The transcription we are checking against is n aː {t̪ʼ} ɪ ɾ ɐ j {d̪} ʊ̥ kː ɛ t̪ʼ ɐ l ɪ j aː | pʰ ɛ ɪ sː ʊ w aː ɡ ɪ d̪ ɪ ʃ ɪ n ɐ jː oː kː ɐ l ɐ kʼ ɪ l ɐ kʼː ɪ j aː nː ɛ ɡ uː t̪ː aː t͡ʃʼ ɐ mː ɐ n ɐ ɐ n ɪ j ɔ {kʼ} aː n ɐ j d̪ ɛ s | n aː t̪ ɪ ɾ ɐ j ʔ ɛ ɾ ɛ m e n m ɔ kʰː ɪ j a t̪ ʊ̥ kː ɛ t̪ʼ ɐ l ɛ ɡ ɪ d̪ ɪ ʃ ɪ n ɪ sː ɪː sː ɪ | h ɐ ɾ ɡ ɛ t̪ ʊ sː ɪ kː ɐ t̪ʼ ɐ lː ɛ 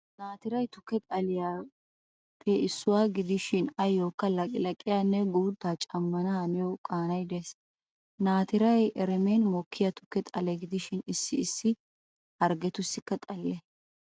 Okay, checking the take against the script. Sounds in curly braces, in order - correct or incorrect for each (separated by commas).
incorrect, incorrect, correct